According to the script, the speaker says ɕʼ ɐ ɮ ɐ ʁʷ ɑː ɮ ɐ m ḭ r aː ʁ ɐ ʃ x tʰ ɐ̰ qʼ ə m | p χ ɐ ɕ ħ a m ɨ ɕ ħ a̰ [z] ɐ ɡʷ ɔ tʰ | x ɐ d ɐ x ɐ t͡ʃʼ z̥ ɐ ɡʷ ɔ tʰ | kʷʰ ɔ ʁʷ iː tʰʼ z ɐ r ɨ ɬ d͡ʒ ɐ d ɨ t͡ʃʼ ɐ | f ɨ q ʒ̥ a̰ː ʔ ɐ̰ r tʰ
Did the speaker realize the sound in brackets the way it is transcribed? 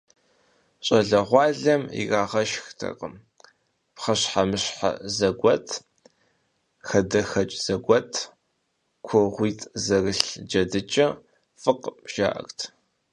yes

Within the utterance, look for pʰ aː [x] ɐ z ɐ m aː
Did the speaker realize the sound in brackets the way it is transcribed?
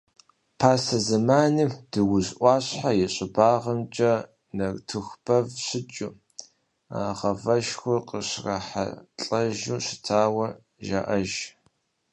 no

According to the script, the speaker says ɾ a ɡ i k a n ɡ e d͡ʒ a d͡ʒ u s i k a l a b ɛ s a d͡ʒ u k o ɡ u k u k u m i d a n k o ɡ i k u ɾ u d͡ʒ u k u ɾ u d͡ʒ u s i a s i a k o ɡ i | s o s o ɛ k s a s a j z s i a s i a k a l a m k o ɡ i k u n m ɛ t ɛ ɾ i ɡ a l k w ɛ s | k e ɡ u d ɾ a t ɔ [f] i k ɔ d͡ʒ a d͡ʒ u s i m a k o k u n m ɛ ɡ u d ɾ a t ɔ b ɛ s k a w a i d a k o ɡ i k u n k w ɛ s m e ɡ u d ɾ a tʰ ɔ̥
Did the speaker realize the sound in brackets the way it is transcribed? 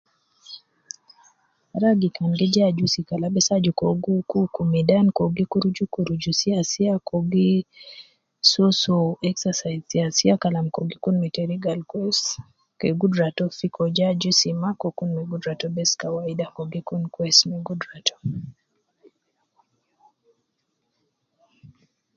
yes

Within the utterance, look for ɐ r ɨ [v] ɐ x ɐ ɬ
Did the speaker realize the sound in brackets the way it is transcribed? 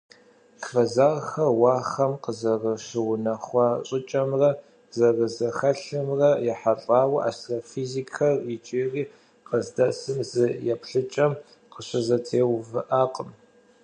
no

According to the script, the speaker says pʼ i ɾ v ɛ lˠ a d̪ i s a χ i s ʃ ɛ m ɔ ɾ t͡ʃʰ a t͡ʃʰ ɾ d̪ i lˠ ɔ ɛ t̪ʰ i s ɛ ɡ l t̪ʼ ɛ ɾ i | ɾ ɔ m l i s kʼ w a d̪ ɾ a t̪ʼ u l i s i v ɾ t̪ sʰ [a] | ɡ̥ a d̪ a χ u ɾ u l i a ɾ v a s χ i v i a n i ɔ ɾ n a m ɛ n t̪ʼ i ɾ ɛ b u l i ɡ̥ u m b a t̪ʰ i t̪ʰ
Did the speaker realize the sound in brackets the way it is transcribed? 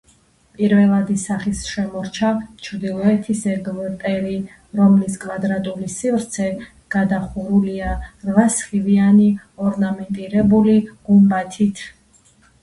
no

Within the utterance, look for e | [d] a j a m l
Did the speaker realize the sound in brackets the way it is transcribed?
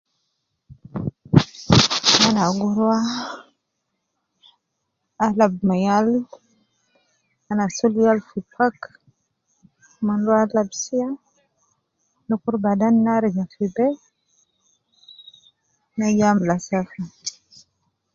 no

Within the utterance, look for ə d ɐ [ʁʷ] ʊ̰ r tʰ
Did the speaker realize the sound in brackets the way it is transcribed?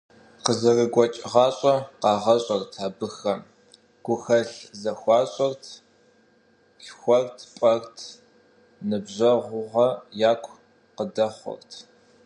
no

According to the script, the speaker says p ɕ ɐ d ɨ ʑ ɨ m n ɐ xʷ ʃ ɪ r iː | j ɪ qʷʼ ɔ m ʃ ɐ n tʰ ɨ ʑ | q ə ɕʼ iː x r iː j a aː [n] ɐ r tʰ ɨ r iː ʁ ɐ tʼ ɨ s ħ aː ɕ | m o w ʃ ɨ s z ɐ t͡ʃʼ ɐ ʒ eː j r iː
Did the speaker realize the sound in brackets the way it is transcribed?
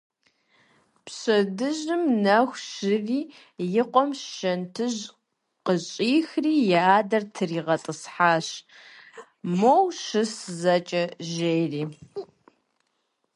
no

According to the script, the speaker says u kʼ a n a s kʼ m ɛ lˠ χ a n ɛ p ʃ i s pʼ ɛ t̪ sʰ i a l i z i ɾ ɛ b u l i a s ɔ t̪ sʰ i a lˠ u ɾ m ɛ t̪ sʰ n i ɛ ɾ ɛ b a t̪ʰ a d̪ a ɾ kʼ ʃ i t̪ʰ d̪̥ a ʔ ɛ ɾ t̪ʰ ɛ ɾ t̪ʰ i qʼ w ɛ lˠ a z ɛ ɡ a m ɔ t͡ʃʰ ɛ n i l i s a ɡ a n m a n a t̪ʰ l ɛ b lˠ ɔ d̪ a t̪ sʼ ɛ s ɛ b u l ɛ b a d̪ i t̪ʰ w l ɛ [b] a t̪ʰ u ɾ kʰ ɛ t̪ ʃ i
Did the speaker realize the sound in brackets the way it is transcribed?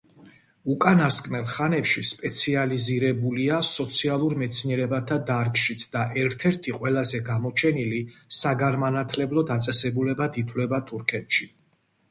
yes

